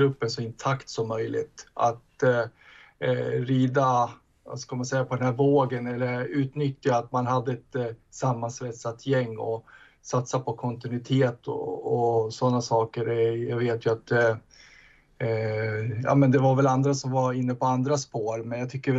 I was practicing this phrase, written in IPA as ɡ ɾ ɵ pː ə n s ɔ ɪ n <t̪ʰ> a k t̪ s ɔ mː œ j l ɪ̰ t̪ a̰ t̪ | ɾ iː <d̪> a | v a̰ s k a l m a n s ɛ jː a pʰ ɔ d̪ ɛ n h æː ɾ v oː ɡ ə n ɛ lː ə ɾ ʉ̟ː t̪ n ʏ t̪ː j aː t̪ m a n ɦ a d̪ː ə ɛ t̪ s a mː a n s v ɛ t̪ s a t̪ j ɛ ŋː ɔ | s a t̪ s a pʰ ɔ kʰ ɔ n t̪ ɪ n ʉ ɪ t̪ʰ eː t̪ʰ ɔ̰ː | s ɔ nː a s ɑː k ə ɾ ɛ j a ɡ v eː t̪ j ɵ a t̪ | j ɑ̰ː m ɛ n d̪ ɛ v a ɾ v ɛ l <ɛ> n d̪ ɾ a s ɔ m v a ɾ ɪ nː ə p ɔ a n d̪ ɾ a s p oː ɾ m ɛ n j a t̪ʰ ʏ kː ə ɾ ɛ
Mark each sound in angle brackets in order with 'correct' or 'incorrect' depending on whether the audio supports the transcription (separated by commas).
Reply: correct, correct, incorrect